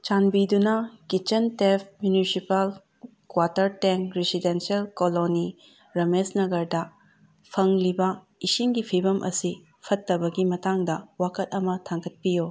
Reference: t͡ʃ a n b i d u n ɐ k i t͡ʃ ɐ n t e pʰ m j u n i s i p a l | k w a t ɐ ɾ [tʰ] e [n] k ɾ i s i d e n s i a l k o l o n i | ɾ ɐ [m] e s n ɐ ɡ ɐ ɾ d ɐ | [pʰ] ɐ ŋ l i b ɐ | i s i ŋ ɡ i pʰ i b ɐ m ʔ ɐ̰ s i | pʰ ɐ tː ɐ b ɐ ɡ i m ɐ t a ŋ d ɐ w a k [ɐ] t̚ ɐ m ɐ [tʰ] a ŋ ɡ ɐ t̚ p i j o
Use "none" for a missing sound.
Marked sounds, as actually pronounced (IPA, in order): t, ŋ, m, pʰ, ɐ, tʰ

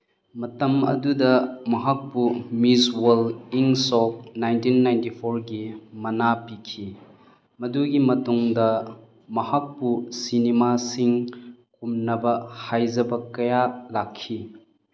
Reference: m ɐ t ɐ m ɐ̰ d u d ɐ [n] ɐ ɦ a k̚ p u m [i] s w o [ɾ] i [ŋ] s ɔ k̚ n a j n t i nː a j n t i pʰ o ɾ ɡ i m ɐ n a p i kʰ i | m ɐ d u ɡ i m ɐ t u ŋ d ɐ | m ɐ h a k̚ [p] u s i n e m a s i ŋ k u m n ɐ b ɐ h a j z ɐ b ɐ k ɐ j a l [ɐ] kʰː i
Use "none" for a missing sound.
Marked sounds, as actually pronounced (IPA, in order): m, i, l, ŋ, p, a

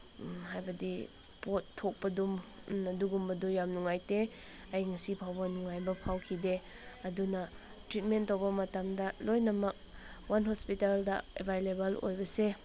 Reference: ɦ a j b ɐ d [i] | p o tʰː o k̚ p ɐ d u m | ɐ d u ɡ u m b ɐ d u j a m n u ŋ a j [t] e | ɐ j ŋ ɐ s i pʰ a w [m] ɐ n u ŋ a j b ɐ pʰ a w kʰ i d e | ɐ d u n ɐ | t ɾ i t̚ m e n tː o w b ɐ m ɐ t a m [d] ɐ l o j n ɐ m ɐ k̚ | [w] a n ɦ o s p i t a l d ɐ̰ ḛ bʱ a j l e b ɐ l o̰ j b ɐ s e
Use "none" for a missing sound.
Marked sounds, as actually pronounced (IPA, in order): i, t, b, d, w

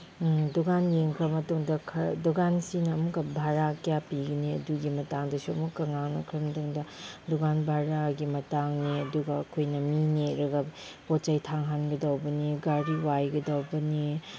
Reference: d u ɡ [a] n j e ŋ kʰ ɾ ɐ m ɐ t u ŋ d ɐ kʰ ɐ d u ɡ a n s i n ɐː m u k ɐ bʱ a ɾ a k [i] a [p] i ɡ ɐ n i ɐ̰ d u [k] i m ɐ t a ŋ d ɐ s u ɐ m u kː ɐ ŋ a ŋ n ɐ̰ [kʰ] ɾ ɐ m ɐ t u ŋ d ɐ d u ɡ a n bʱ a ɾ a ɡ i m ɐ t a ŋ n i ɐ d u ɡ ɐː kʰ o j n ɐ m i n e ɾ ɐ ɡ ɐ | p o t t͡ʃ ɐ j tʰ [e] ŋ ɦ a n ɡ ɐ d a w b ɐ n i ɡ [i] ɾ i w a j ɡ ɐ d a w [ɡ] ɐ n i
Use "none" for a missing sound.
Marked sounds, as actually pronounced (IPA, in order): a, j, p, ɡ, kʰ, a, a, b

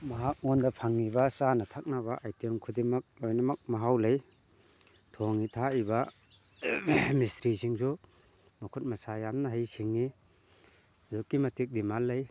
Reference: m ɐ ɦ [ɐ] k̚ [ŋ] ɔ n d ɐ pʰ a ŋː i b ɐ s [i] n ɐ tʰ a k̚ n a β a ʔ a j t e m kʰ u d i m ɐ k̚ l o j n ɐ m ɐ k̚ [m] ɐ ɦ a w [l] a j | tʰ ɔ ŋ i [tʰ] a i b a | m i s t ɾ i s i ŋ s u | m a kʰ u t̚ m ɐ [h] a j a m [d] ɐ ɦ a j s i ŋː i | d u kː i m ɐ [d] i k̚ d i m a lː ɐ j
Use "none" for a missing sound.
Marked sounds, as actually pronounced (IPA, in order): a, ŋ, a, m, l, tʰ, s, n, t

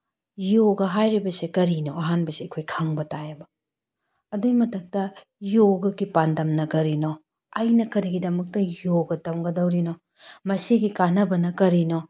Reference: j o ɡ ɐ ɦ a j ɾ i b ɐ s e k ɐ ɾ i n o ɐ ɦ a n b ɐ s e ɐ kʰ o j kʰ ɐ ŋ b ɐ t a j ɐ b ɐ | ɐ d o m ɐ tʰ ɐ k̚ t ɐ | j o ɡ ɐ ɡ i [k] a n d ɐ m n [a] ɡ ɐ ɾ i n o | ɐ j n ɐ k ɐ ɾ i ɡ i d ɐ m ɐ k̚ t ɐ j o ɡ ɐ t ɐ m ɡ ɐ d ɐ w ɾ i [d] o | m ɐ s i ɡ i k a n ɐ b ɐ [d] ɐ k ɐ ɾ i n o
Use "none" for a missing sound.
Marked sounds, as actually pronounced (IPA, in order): p, ɐ, n, n

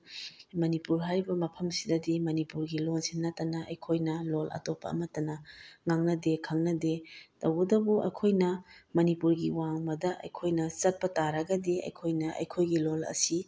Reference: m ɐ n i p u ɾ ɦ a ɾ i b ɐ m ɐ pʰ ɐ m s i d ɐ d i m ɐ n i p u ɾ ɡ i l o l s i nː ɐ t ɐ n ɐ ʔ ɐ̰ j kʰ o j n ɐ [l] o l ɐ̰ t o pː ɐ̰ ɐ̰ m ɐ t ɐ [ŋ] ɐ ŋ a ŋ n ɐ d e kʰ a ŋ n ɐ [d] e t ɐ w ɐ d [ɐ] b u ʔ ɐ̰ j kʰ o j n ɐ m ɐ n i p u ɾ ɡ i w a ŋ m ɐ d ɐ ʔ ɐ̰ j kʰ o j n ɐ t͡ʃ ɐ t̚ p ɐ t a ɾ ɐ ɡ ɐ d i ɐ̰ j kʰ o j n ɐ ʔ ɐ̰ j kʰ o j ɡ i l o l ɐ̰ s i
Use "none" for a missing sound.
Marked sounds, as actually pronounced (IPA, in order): l, n, d, ɐ

